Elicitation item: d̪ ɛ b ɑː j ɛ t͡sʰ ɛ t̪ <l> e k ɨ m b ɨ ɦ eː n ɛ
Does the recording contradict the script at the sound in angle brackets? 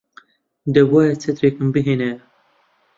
yes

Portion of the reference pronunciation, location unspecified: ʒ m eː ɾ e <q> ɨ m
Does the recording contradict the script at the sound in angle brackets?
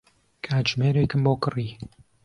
yes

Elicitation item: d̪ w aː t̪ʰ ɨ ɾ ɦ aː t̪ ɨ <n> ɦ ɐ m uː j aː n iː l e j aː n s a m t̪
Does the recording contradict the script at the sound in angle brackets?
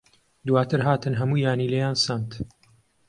no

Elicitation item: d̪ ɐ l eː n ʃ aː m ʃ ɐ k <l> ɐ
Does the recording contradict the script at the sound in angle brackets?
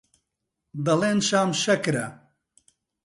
yes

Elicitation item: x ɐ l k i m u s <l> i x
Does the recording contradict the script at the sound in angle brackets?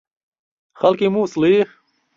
no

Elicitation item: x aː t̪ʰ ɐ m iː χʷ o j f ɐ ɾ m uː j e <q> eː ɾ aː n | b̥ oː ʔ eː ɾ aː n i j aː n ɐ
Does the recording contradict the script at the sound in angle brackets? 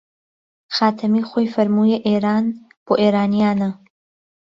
yes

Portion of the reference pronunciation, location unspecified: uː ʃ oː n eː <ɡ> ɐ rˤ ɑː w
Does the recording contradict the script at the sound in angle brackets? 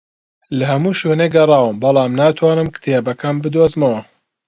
no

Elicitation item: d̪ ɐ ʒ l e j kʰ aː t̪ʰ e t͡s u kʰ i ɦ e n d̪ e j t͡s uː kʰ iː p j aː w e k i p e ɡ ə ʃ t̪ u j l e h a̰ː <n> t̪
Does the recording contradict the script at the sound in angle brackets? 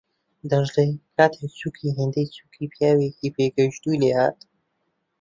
yes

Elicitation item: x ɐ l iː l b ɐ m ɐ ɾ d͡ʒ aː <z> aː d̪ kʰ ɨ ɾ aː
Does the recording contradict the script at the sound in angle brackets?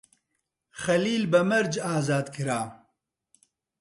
no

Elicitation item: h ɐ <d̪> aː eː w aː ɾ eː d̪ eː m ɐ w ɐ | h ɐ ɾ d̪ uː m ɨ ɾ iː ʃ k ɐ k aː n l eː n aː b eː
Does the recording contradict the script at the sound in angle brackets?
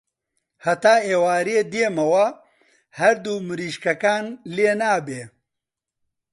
yes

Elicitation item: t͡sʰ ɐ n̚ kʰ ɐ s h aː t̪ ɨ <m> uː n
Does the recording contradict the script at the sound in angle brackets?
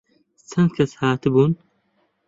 yes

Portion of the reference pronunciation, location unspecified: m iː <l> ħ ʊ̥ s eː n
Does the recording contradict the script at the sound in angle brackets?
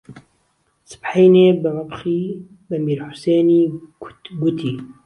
yes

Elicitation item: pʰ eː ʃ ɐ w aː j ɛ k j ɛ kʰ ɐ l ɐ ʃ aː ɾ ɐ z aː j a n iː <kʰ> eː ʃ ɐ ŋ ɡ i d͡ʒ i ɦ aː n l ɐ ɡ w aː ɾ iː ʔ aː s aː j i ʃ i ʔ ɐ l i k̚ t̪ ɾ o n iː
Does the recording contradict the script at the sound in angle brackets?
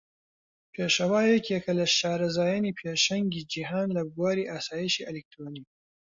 yes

